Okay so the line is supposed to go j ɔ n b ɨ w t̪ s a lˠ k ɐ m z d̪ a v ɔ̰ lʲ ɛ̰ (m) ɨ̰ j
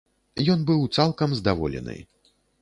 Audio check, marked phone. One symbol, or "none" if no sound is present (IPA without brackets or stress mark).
n